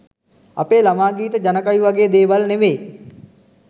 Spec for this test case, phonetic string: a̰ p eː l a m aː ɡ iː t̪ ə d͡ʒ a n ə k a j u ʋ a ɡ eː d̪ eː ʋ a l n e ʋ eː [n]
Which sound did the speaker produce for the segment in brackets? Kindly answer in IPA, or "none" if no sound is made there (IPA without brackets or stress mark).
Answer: none